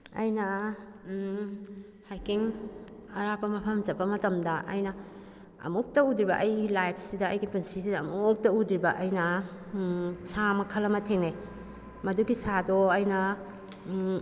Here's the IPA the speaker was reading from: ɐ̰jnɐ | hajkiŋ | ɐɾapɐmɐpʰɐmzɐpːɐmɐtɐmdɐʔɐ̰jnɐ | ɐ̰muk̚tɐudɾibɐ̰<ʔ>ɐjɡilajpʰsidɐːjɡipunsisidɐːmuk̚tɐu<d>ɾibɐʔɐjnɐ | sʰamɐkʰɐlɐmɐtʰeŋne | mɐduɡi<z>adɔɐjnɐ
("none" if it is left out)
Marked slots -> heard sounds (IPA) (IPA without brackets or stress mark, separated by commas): ʔ, d, s